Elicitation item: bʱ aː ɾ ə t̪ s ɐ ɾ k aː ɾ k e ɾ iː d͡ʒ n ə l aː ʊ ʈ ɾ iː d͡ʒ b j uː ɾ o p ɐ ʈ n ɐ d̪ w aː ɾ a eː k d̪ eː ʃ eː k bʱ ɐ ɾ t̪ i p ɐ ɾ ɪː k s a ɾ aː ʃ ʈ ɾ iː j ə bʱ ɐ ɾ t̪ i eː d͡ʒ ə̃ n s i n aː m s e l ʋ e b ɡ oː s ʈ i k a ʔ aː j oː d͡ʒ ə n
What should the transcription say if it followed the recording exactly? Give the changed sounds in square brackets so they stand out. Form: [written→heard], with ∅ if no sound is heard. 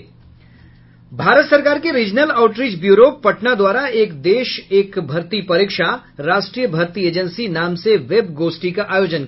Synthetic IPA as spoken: bʱ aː ɾ ə t̪ s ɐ ɾ k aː ɾ k e ɾ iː d͡ʒ n ə l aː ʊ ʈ ɾ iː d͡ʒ b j uː ɾ o p ɐ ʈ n [ɐ→a] d̪ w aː ɾ a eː k d̪ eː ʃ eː k bʱ ɐ ɾ t̪ i p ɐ ɾ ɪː k [s→ʃ] a ɾ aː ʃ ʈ ɾ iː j ə bʱ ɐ ɾ t̪ i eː d͡ʒ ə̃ n s i n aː m s e [l→∅] ʋ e b ɡ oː s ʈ i k a ʔ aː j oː d͡ʒ ə n